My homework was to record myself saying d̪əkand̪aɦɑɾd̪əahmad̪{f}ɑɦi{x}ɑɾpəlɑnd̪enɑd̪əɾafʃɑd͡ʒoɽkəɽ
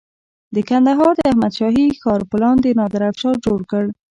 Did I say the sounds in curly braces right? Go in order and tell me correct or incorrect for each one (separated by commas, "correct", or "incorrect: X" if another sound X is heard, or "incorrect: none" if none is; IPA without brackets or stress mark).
incorrect: ʃ, correct